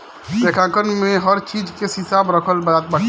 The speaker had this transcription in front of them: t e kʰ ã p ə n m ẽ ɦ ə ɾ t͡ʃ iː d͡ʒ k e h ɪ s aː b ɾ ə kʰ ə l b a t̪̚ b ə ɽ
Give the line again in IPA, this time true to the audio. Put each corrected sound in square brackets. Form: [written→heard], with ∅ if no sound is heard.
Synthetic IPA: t e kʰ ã [p→k] ə n m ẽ ɦ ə ɾ t͡ʃ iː d͡ʒ k e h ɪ s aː b ɾ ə kʰ ə l b a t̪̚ b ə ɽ